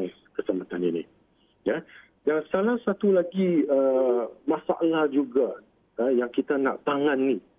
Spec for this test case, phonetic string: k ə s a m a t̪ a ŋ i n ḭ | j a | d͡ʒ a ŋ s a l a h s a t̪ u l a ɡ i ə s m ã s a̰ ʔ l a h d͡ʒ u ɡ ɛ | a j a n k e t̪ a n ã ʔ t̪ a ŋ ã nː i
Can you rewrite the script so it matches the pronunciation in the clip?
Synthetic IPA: k ə s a m a t̪ a n i n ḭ | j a | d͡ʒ a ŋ s a l a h s a t̪ u l a ɡ i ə m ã s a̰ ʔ l a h d͡ʒ u ɡ a | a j a ŋ k i t̪ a n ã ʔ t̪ a ŋ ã nː i